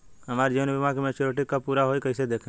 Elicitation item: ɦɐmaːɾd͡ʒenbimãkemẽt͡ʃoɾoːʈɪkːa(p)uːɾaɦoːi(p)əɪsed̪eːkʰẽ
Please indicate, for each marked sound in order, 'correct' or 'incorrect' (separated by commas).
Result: correct, incorrect